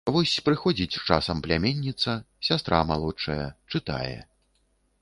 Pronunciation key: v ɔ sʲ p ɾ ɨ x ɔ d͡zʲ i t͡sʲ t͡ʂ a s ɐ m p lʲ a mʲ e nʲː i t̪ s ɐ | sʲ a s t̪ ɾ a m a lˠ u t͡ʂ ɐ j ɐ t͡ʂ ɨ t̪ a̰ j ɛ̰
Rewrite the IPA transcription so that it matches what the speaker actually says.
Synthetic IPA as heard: v ɔ sʲ p ɾ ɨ x ɔ d͡zʲ i t͡sʲ t͡ʂ a s ɐ m p lʲ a mʲ e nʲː i t̪ s ɐ | sʲ a s t̪ ɾ a m a lˠ ɔ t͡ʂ ɐ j ɐ t͡ʂ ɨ t̪ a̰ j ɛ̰